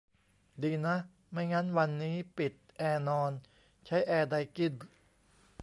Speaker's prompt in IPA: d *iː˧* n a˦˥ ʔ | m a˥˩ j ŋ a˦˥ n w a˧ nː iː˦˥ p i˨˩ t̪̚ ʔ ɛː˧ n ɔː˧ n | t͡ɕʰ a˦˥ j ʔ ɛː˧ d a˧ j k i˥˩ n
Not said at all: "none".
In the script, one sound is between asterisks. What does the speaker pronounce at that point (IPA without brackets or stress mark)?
iː˧